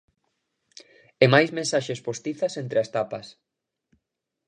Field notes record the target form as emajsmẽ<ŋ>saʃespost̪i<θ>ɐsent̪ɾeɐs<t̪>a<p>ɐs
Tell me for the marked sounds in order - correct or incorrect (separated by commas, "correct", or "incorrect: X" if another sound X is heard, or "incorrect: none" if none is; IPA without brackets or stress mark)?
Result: incorrect: n, correct, correct, correct